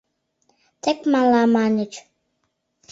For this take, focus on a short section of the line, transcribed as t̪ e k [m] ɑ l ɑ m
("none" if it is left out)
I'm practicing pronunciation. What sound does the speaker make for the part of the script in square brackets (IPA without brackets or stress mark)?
m